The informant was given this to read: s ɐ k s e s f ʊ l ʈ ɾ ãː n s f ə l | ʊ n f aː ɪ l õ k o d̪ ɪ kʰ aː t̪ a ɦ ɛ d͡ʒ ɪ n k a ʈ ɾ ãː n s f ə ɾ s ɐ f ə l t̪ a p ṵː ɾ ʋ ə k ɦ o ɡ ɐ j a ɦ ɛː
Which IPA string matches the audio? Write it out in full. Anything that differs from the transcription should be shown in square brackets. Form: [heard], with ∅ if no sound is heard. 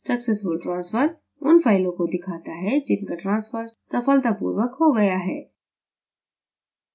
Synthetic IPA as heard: s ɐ k s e s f ʊ l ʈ ɾ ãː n s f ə [ɾ] | ʊ n f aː ɪ l õ k o d̪ ɪ kʰ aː t̪ a ɦ ɛ d͡ʒ ɪ n k a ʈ ɾ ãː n s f ə ɾ s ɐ f ə l t̪ a p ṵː ɾ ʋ ə k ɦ o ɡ ɐ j a ɦ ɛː